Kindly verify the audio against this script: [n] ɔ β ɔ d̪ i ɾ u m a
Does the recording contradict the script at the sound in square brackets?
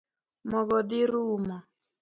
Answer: yes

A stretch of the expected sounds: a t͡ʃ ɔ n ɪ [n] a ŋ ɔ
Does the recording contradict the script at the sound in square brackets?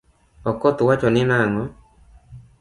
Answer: no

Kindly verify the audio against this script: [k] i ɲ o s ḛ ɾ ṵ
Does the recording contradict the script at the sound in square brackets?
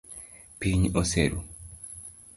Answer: yes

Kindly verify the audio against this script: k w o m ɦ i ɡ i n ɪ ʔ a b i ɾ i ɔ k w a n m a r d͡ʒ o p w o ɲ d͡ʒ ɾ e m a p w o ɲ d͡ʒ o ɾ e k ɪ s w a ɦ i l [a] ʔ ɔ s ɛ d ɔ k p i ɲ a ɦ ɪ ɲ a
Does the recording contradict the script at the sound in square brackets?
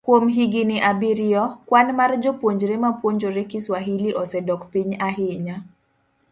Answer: yes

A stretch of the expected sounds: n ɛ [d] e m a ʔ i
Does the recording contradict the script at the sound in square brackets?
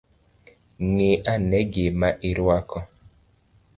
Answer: yes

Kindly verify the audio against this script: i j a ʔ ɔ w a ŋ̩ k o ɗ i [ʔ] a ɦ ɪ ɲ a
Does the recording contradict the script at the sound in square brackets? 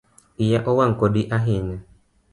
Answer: no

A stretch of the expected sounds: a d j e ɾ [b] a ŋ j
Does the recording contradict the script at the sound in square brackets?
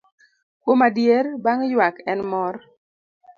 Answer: no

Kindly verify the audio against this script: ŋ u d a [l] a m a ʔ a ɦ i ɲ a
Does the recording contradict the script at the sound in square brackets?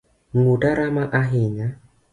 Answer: yes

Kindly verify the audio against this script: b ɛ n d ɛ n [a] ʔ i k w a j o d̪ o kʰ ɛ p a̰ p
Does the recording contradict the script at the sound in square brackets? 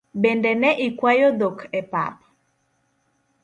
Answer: yes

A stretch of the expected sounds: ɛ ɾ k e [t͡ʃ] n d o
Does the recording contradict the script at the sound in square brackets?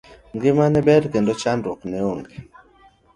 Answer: yes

